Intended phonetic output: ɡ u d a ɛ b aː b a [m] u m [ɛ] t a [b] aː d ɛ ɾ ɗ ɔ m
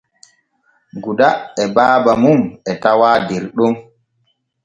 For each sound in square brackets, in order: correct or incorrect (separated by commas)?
correct, correct, incorrect